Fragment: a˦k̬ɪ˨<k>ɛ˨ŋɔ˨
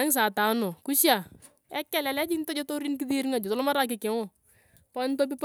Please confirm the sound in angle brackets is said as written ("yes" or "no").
yes